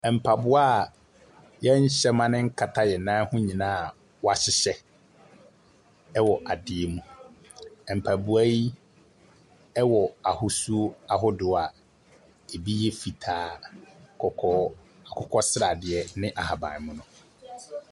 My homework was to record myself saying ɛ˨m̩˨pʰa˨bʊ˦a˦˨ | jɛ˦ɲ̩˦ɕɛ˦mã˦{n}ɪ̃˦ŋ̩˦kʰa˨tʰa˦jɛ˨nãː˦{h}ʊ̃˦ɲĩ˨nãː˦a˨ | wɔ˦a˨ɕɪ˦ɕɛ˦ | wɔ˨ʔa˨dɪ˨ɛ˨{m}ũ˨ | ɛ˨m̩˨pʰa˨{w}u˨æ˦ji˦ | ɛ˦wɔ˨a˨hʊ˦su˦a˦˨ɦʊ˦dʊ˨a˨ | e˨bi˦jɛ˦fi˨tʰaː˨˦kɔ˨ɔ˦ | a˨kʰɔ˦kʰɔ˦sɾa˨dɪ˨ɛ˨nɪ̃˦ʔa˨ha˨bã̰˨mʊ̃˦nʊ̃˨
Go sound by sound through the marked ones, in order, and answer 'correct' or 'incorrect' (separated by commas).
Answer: correct, correct, correct, incorrect